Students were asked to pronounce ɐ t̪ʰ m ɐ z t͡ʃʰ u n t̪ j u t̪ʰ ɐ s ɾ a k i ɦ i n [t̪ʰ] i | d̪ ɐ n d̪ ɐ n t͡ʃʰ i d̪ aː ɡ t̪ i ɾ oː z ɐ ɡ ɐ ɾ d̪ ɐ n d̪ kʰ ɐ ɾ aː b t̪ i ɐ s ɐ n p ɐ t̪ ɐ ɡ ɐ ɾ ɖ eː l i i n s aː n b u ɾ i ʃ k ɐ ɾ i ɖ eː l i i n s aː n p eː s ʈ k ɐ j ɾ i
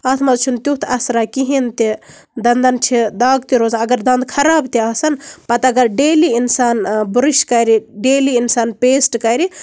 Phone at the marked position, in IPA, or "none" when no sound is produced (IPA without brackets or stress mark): t̪